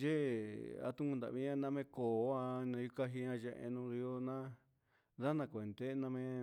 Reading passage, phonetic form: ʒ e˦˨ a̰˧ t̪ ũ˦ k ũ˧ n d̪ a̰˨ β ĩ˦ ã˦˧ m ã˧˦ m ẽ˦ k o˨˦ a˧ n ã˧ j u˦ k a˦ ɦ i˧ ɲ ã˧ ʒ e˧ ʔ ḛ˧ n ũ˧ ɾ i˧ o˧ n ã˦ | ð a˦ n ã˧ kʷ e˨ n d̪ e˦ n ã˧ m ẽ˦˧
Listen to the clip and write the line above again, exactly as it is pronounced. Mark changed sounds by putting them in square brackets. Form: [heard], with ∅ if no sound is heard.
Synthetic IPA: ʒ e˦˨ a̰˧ t̪ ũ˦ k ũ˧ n d̪ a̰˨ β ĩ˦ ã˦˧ [n] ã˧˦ m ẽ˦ k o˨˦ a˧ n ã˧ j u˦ k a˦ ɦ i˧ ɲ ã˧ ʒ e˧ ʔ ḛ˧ n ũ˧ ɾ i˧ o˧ n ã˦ | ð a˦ n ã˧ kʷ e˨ n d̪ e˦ n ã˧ m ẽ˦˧